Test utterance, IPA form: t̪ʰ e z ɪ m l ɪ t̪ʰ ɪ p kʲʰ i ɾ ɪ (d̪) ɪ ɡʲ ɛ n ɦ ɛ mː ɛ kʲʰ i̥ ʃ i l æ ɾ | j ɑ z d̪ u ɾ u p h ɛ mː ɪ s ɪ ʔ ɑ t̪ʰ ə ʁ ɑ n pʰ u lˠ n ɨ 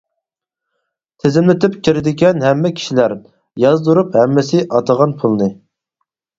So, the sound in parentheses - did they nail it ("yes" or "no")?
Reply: yes